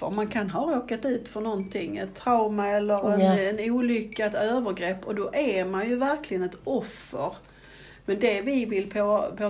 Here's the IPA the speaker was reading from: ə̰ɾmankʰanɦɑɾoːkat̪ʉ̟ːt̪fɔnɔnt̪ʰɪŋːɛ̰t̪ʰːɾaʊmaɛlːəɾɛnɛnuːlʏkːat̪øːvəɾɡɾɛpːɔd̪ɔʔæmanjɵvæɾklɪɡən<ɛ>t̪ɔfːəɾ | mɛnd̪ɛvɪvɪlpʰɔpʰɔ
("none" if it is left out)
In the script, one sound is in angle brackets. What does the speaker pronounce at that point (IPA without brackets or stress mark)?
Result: ɛ